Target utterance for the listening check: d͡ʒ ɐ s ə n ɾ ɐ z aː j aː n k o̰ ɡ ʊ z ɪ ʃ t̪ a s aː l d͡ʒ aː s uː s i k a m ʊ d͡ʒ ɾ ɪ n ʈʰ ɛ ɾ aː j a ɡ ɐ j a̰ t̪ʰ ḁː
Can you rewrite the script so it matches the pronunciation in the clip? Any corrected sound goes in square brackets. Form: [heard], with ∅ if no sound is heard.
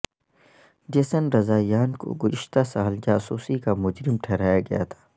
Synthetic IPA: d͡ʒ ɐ s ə n ɾ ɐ z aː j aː n k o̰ ɡ ʊ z ɪ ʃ t̪ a s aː l d͡ʒ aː s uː s i k a m ʊ d͡ʒ ɾ ɪ [m] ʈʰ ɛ ɾ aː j a ɡ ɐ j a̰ t̪ʰ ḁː